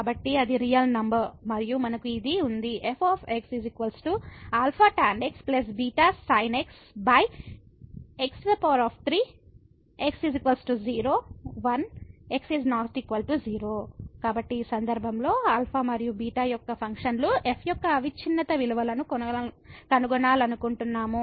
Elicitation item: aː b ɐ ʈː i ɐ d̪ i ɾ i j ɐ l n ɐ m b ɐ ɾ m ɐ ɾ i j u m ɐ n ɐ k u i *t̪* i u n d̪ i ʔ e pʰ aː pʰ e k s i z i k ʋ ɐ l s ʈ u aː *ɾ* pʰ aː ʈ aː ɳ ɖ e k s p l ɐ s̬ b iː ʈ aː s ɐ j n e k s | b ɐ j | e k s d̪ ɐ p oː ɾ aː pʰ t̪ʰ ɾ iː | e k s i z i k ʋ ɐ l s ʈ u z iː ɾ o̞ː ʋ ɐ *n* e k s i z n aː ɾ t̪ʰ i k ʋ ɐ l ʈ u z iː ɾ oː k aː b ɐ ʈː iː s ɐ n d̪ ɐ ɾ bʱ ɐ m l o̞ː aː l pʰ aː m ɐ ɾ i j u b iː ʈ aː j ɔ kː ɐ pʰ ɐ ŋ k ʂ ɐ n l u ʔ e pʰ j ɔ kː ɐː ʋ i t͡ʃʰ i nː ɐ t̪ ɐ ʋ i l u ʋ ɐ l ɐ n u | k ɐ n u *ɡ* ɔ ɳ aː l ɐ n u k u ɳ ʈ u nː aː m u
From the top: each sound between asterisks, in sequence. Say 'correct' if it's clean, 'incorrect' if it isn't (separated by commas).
incorrect, incorrect, correct, correct